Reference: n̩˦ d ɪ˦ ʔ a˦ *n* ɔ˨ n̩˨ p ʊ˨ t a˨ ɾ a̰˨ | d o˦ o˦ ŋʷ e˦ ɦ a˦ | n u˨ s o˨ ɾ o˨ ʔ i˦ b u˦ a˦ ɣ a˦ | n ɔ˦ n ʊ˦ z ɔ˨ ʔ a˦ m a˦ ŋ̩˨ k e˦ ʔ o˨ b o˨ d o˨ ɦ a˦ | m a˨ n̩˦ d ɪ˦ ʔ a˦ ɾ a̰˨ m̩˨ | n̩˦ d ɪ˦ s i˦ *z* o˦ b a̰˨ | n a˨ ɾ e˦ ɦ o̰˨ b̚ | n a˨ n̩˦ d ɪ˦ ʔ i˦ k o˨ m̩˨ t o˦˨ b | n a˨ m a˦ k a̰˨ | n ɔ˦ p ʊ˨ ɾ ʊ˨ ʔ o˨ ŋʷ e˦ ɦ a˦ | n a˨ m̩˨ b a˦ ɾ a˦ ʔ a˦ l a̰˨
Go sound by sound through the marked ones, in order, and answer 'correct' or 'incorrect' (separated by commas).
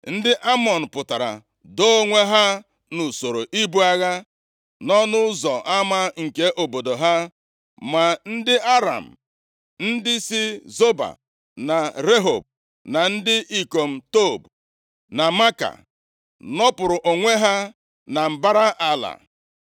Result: incorrect, correct